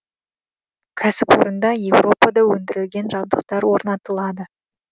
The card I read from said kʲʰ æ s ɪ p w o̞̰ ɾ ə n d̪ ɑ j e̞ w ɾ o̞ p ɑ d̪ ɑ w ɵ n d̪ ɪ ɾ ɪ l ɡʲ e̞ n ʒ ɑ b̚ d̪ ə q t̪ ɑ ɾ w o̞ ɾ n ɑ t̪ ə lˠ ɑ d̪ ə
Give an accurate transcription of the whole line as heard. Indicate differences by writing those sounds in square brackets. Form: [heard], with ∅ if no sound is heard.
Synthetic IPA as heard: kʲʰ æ s ɪ p w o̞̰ ɾ ə n d̪ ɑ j e̞ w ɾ o̞ p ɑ d̪ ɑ w ɵ n d̪ ɪ ɾ ɪ l ɡʲ e̞ n ʒ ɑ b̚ d̪ ə q t̪ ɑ ɾ w o̞ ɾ n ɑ t̪ ə lˠ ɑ d̪ ə